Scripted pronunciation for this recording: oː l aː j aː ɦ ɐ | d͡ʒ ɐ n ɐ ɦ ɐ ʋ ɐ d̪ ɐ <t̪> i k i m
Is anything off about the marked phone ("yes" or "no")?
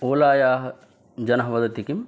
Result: no